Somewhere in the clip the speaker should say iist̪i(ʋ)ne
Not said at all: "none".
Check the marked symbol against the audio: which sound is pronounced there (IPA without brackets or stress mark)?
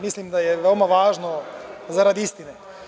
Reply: none